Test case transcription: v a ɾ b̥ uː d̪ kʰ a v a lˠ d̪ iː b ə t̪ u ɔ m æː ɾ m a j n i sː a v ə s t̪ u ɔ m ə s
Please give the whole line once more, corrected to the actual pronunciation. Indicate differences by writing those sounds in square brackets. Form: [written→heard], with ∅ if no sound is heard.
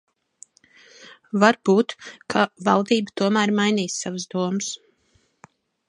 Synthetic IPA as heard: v a ɾ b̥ uː [d̪→t̪] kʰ a v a lˠ d̪ iː b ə t̪ u ɔ m æː ɾ m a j n [i→iː] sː a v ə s [t̪→d̪] u ɔ m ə s